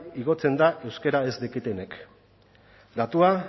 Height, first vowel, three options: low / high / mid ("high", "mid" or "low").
high